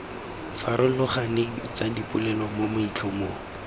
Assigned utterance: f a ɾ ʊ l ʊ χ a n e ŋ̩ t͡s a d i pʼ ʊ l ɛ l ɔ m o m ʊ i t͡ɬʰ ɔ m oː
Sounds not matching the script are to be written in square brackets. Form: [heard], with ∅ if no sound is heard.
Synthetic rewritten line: f a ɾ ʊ l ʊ χ a n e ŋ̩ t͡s a d i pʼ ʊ l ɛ l ɔ m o m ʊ i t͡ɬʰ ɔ m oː